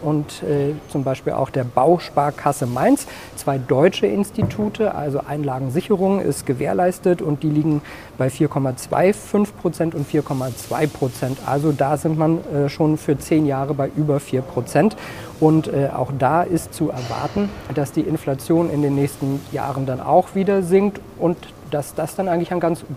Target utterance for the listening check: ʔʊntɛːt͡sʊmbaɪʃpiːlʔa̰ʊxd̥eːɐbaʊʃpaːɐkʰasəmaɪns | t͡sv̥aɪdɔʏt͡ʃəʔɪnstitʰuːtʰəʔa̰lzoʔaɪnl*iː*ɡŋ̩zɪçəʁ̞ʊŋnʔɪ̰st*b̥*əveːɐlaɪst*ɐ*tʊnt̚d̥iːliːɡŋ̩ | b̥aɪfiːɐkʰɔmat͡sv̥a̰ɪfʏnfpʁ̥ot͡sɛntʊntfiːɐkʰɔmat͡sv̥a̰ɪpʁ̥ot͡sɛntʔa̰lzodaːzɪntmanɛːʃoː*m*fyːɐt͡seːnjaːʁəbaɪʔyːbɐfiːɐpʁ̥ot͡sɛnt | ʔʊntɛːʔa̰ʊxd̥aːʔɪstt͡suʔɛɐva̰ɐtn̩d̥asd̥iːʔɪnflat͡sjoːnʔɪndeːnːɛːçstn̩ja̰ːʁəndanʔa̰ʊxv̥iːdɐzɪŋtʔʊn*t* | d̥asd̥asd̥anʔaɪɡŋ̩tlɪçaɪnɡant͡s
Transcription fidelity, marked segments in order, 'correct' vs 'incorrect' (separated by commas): incorrect, incorrect, incorrect, incorrect, correct